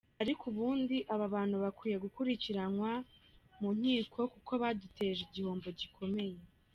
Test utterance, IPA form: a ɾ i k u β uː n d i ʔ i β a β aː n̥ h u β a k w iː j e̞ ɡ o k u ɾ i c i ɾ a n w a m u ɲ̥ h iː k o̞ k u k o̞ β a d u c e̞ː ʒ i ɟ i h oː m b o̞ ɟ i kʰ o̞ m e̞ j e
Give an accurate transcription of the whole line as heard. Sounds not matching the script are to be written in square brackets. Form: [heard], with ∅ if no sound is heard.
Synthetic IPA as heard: a ɾ i k u β uː n d i ʔ [a] β a β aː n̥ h u β a k w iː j e̞ ɡ [u] k u ɾ i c i ɾ a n w a m u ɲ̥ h iː k o̞ k u k o̞ β a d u [t] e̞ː ʒ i ɟ i h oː m b o̞ ɟ i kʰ o̞ m e̞ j e